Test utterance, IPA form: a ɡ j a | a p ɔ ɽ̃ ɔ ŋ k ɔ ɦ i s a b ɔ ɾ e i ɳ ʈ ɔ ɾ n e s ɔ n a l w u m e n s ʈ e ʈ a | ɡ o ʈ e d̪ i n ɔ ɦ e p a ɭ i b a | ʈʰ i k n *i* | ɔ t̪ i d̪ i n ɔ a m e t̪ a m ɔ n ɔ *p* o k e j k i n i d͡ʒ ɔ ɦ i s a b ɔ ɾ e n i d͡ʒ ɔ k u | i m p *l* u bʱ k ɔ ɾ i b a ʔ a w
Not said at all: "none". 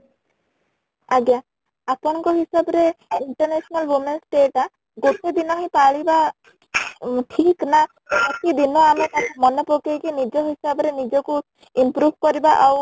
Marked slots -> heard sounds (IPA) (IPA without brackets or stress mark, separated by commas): a, p, ɾ